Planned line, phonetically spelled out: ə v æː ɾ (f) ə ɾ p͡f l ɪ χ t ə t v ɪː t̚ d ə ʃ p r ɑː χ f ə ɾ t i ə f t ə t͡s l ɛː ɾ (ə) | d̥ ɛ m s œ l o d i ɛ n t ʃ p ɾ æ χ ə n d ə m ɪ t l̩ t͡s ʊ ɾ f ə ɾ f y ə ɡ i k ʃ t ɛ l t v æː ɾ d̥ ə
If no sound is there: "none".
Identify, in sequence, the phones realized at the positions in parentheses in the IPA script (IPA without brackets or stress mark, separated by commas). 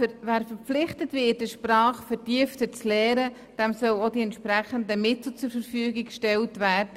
f, ə